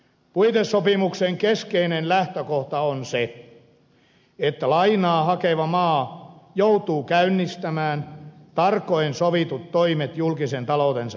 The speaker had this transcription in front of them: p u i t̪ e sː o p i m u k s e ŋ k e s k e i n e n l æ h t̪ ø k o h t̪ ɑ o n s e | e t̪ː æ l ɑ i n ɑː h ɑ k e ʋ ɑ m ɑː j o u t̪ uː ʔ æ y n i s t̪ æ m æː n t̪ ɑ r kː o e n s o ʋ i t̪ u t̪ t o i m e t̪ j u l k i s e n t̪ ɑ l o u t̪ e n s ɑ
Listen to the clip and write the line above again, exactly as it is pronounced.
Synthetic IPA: p u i t̪ e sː o p i m u k s e ŋ k e s k e i n e n l æ h t̪ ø k o h t̪ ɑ o n s e | e t̪ː æ l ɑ i n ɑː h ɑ k e ʋ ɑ m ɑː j o u t̪ uː k æ y nː i s t̪ æ m æː n t̪ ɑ r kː o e n s o ʋ i t̪ u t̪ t o i m e t̪ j u l k i s e n t̪ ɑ l o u t̪ e n s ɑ